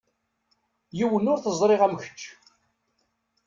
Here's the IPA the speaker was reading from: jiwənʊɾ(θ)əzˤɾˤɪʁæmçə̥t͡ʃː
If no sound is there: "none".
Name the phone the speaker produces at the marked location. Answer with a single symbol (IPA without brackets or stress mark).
θ